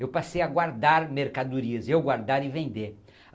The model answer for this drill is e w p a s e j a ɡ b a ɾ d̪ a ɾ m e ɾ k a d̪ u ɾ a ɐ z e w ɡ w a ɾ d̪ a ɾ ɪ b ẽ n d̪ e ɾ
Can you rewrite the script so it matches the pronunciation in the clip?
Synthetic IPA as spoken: e w p a s e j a ɡ w a ɾ d̪ a ɾ m e ɾ k a d̪ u ɾ i ɐ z e w ɡ w a ɾ d̪ a ɾ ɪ v ẽ n d̪ e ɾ